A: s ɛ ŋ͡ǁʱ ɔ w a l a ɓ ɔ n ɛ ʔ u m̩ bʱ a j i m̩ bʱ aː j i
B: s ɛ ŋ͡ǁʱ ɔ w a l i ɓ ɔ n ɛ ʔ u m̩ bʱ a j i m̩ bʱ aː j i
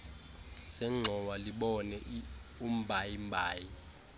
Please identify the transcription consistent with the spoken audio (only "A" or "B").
B